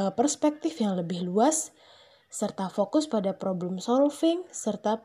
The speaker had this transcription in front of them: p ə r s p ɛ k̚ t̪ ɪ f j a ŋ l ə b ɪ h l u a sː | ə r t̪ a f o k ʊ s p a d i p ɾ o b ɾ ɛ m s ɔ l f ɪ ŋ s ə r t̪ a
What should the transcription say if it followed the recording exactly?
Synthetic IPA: p ə r s p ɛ k̚ t̪ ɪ f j a ŋ l ə b ɪ h l u a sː | ə r t̪ a f o k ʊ s p a d a p ɾ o b l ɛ m s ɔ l f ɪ ŋ s ə r t̪ a